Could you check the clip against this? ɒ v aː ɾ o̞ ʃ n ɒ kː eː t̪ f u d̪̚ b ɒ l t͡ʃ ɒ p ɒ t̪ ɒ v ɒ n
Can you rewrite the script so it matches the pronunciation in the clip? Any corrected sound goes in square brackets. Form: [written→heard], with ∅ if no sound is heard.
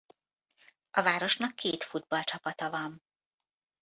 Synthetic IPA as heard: ɒ v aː ɾ o̞ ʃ n ɒ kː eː t̪ f u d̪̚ b ɒ l t͡ʃ ɒ p ɒ t̪ ɒ v ɒ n